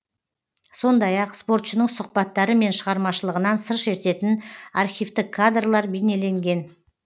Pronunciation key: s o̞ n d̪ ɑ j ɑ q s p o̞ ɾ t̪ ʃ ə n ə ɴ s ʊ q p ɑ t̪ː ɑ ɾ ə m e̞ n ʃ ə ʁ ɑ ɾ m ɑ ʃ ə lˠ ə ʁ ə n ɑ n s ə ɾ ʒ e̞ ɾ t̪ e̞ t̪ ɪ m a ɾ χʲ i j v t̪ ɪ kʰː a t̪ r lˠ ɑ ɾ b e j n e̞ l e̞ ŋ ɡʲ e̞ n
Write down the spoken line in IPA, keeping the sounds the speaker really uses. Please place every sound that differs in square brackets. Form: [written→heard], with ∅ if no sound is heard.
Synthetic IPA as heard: s o̞ n d̪ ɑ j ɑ q s p o̞ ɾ t̪ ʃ ə n ə ɴ s ʊ q p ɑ t̪ː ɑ ɾ ə m e̞ n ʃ ə ʁ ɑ ɾ m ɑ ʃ ə lˠ ə ʁ ə n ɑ n s ə ɾ [ʒ→ʃ] e̞ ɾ t̪ e̞ t̪ ɪ [m→n] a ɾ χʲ i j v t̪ ɪ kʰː a [t̪→d̪] r lˠ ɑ ɾ b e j n e̞ l e̞ ŋ ɡʲ e̞ n